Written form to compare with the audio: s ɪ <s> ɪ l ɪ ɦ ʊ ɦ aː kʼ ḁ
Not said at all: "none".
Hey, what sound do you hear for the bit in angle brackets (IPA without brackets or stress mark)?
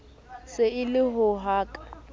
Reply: none